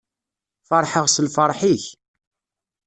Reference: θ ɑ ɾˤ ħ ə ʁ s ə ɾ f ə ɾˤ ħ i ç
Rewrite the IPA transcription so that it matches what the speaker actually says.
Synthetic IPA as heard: f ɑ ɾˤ ħ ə ʁ s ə l f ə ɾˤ ħ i ç